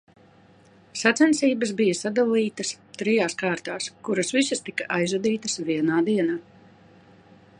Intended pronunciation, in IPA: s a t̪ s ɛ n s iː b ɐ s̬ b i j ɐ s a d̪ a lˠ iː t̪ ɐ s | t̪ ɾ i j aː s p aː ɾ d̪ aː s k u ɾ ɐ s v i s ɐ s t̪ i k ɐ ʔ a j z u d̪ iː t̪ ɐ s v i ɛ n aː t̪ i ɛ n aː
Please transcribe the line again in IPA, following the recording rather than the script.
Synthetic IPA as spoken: s a t̪ s ɛ n s iː b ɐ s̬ b i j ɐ s a d̪ a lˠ iː t̪ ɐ s | t̪ ɾ i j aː s k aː ɾ t̪ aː s k u ɾ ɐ s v i s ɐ s t̪ i k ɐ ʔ a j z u d̪ iː t̪ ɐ s v i ɛ n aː d̪ i ɛ n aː